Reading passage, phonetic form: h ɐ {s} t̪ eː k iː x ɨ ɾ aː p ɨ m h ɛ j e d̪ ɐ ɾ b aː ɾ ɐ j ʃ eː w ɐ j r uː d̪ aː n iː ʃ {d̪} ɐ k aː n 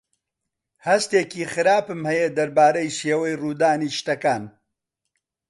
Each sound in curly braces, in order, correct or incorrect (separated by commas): correct, incorrect